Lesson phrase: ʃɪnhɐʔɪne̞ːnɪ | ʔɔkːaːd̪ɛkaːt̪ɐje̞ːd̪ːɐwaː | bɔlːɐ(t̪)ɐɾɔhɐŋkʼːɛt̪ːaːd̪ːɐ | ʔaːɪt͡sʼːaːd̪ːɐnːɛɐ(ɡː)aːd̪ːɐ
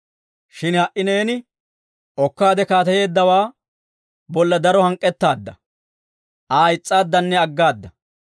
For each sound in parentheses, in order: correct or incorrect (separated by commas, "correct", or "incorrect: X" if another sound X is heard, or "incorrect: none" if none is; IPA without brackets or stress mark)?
incorrect: d̪, correct